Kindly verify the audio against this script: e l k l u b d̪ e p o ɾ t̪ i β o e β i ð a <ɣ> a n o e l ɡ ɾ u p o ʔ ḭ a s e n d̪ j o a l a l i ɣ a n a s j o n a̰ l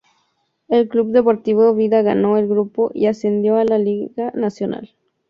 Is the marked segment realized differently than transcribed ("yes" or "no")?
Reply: no